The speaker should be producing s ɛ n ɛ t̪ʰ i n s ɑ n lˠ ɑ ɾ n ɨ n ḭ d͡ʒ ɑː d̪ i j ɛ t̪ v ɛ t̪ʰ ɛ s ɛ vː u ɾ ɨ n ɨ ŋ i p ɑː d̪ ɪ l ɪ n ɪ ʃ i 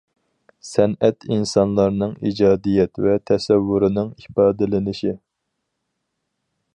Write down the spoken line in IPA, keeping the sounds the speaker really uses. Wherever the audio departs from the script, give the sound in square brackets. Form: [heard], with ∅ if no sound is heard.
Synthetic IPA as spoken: s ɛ n ɛ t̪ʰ i n s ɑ n lˠ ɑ ɾ n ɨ [ŋ] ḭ d͡ʒ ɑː d̪ i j ɛ t̪ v ɛ t̪ʰ ɛ s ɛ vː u ɾ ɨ n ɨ ŋ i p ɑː d̪ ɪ l ɪ n ɪ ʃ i